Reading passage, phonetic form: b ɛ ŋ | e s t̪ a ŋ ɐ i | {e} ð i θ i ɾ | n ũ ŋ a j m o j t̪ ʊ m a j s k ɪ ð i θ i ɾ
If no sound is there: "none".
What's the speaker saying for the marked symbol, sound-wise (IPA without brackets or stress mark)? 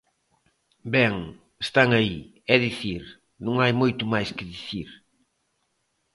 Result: ɛ